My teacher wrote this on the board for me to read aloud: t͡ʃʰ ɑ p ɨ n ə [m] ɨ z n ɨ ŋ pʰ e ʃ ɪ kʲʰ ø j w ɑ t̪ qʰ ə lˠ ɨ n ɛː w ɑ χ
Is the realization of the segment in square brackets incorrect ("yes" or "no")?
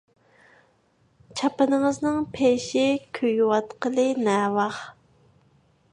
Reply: yes